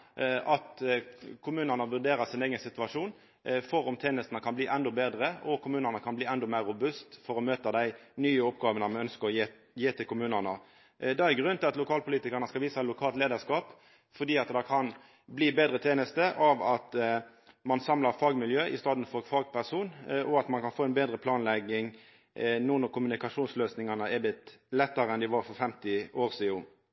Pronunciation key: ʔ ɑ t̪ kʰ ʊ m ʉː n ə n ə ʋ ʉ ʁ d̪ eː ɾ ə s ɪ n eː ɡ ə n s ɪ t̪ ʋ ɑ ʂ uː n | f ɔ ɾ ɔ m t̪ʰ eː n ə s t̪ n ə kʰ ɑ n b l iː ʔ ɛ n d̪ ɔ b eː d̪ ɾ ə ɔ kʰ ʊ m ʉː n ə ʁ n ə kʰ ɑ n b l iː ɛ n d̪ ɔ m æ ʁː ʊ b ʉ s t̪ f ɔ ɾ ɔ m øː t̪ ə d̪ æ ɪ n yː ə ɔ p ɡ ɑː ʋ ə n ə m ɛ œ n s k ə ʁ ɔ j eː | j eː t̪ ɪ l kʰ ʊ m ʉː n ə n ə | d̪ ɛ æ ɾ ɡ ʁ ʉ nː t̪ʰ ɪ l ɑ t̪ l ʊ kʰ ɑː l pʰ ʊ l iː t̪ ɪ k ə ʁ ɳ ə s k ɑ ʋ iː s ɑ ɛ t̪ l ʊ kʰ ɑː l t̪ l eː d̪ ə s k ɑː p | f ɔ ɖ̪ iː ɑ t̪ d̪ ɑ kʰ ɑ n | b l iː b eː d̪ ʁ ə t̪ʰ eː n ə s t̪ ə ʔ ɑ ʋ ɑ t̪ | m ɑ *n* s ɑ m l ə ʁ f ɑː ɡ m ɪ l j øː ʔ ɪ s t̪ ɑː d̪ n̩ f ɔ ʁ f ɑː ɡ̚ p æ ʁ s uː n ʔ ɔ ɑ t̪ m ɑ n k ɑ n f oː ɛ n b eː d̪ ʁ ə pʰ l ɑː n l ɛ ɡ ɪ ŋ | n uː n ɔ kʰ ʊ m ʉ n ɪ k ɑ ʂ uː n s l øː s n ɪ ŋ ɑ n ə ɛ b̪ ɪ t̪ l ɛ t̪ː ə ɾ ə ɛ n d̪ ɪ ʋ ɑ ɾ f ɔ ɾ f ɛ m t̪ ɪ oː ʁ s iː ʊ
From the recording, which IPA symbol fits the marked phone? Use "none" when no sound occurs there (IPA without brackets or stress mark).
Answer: n